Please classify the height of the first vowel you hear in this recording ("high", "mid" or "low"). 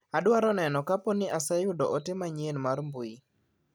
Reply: low